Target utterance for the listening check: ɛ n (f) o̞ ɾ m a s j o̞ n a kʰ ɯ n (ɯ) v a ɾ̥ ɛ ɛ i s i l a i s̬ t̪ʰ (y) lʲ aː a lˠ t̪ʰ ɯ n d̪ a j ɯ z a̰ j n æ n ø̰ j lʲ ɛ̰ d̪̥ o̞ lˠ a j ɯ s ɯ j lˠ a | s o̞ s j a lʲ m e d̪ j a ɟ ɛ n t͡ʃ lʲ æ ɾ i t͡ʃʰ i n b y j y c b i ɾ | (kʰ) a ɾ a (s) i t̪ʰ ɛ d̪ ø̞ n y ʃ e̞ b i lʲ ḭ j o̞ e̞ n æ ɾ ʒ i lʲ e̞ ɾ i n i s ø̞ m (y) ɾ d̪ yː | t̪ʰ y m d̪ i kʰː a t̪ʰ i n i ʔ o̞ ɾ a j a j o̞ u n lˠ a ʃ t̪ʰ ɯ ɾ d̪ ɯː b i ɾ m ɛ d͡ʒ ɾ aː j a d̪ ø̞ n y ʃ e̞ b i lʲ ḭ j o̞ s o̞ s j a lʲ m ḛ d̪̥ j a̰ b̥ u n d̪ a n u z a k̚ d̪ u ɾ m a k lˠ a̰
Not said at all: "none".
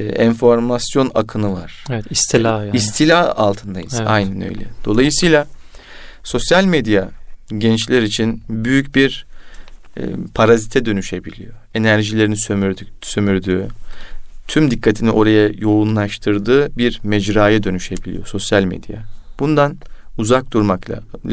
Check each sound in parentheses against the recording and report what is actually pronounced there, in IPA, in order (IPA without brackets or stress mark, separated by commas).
f, ɯ, i, pʰ, z, y